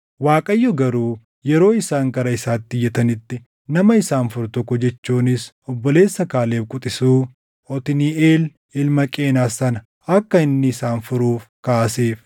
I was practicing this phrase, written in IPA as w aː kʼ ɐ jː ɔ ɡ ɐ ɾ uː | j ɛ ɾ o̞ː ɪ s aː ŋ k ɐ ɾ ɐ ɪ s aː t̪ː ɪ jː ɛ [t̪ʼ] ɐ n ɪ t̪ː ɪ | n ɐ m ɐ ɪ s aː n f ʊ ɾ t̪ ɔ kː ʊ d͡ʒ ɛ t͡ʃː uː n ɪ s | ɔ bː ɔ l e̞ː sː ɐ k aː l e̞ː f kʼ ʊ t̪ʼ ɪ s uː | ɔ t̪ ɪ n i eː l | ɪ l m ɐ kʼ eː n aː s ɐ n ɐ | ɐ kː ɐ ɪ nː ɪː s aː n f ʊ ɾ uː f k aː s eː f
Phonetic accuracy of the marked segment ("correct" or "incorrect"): incorrect